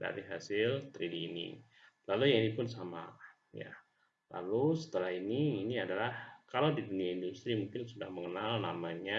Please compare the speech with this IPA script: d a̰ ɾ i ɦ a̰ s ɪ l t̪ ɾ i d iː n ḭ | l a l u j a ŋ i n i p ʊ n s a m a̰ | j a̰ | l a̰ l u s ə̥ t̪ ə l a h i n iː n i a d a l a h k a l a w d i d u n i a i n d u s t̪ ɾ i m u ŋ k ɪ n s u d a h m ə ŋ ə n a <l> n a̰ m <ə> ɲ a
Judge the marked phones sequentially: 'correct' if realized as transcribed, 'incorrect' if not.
correct, incorrect

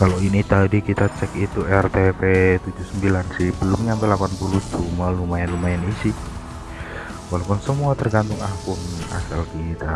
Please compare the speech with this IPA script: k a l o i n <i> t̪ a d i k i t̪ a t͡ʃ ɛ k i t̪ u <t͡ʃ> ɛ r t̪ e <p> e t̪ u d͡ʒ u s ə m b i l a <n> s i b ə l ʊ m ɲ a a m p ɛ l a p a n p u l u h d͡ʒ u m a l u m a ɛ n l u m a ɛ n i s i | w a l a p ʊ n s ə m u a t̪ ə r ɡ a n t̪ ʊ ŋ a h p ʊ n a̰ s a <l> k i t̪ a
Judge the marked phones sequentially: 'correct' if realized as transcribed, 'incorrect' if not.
correct, incorrect, correct, correct, correct

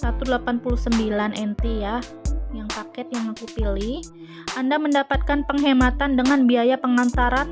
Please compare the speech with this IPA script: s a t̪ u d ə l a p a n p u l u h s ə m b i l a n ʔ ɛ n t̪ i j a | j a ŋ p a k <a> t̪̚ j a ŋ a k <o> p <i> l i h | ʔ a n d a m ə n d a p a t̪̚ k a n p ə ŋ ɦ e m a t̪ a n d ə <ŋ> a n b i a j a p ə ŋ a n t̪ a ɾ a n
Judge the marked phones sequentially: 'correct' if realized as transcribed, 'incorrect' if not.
incorrect, incorrect, correct, correct

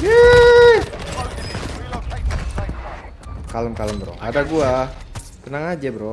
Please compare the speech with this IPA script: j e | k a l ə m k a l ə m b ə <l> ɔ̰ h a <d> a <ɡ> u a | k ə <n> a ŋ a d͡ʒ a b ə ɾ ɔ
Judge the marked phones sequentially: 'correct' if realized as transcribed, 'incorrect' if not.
incorrect, correct, correct, correct

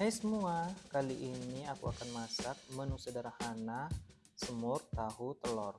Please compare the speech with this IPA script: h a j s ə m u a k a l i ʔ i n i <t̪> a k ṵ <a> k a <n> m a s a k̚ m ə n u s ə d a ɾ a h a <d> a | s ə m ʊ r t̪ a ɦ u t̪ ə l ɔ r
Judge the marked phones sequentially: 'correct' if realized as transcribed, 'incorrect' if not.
incorrect, correct, correct, incorrect

